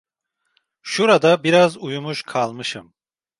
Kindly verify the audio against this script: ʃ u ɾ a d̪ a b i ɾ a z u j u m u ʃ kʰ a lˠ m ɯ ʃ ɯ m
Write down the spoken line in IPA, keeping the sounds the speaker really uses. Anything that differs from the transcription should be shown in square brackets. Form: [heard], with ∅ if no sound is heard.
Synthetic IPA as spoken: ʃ u ɾ a d̪ a b i ɾ a z u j u m u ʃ kʰ a lˠ m ɯ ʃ ɯ m